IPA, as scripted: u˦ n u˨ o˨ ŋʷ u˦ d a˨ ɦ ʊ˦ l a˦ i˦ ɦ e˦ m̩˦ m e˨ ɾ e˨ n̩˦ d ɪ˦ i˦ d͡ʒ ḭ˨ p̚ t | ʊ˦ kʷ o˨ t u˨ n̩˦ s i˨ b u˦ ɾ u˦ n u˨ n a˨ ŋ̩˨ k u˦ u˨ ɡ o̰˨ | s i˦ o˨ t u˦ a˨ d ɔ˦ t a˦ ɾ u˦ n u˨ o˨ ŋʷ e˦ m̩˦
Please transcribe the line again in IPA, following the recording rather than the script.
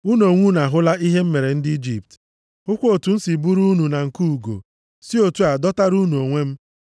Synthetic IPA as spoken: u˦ n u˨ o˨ ŋʷ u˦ n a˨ ɦ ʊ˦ l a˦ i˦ ɦ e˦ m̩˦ m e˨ ɾ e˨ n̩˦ d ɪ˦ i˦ d͡ʒ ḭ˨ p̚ t | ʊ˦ kʷ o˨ t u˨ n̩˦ s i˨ b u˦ ɾ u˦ n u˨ n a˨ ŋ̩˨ k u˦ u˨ ɡ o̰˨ | s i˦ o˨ t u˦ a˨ d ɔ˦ t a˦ ɾ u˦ n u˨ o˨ ŋʷ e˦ m̩˦